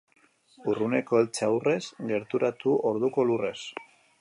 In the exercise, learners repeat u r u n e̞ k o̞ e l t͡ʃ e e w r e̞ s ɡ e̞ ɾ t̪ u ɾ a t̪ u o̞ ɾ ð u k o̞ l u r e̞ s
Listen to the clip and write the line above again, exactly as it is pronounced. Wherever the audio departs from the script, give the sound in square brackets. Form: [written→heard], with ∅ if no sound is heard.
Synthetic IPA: u r u n e̞ k o̞ e l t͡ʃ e [e→a] w r e̞ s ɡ e̞ ɾ t̪ u ɾ a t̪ u o̞ ɾ ð u k o̞ l u r e̞ s